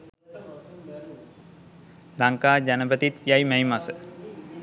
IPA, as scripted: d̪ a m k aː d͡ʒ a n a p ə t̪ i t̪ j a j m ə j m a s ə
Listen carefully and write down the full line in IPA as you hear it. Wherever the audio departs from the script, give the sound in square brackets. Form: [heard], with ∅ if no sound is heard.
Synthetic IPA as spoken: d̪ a [ŋ] k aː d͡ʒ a n [ə] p ə t̪ i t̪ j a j m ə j m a s ə

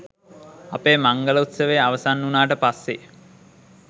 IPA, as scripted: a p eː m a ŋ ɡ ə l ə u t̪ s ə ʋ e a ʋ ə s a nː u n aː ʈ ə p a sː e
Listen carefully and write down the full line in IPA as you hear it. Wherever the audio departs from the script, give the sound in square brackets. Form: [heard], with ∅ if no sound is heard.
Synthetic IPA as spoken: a p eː m a ŋ ɡ ə l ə u t̪ s ə ʋ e a ʋ ə s a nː u n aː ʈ ə p a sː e

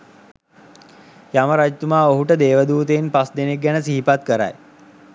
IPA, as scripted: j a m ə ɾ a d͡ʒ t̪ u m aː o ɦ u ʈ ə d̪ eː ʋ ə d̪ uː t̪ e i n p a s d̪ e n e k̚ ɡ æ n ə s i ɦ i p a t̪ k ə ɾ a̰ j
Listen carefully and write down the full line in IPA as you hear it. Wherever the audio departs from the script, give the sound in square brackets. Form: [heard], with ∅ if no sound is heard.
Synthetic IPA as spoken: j a m ə ɾ a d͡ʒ t̪ u m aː o ɦ u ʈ ə d̪ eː ʋ ə d̪ uː t̪ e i n p a s d̪ e n e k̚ ɡ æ n ə s i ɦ i p a t̪ k ə ɾ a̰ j

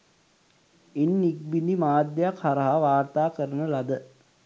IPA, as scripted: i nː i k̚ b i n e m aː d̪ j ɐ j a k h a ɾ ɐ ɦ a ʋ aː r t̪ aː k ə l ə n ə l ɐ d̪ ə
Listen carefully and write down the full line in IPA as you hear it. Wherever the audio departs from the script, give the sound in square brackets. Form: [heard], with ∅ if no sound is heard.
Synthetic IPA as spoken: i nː i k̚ b i n [i] m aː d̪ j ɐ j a k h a ɾ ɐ ɦ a ʋ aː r t̪ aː k ə [ɾ] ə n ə l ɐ d̪ ə

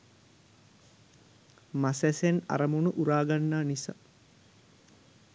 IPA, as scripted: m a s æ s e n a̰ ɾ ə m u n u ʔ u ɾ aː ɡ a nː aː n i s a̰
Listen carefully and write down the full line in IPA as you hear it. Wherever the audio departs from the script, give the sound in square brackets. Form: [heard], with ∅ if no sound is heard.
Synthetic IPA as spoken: m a s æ s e n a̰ ɾ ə m u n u ʔ u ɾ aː ɡ a nː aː n i s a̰

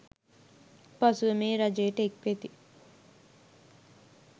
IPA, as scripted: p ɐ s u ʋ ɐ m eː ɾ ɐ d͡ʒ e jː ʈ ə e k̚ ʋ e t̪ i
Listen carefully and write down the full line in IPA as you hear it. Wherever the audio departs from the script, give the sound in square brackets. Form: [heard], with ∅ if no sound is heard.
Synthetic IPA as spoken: p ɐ s u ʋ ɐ m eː ɾ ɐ d͡ʒ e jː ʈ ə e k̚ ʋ e t̪ i

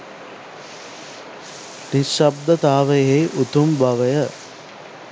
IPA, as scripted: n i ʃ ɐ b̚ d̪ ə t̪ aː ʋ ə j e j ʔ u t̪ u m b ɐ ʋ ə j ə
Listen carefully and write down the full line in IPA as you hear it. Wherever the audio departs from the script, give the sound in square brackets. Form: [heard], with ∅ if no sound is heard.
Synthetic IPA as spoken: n i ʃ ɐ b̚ d̪ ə t̪ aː ʋ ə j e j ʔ u t̪ u m b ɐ ʋ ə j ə

